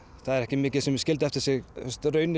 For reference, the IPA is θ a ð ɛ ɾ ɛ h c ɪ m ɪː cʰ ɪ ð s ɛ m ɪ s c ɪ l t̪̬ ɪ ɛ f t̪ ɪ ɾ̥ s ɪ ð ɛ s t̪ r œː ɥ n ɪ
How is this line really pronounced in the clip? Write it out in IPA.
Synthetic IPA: θ a ð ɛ ɾ ɛ h c ɪ m ɪː c ɪ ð s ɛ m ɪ s c ɪ l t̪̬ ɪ ɛ f t̪ ɪ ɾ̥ s ɪ ɣ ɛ s t̪ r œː ɥ n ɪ